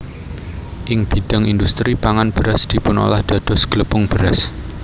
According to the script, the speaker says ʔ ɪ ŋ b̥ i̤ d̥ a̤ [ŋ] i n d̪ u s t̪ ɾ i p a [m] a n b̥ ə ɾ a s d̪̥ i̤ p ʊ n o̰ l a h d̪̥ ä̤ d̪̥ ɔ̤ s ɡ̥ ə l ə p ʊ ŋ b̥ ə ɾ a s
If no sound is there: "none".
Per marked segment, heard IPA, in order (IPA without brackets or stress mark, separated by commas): ŋ, ŋ